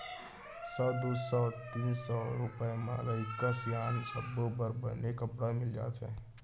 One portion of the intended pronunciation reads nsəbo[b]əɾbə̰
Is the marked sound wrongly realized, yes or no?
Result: no